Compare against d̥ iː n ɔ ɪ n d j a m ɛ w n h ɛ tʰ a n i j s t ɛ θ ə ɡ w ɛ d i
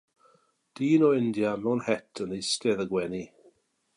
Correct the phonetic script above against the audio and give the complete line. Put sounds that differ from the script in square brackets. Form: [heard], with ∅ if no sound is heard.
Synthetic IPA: d̥ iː n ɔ ɪ n d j a m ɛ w n h ɛ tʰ [ə] n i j s t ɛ [ð] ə ɡ w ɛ [n] i